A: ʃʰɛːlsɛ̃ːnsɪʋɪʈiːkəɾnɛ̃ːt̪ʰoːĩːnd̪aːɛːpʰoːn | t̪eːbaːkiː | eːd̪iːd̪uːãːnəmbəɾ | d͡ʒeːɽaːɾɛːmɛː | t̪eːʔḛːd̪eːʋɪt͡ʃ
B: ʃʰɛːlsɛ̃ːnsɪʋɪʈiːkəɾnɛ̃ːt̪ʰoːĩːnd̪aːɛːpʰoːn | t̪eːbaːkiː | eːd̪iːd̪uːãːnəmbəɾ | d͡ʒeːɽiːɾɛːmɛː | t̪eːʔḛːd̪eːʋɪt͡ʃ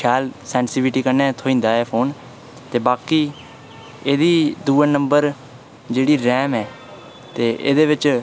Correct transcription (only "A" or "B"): B